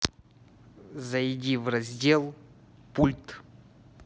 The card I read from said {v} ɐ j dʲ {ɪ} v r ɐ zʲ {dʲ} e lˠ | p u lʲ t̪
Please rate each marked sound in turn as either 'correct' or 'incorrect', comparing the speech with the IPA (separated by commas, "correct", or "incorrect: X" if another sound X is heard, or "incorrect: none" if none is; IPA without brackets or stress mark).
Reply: incorrect: z, incorrect: i, correct